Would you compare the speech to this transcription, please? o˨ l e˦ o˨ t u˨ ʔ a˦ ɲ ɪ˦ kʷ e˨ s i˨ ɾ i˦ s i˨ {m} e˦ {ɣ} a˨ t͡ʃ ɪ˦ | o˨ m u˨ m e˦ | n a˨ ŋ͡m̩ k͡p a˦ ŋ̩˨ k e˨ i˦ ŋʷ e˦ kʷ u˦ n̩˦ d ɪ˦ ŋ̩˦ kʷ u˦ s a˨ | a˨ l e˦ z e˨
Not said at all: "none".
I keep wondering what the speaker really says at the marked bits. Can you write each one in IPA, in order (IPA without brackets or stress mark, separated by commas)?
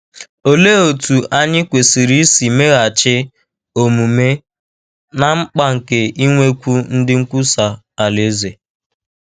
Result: m, ɣ